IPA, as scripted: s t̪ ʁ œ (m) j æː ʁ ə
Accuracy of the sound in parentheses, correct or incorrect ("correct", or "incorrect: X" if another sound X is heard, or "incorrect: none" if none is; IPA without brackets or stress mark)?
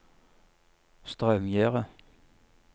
correct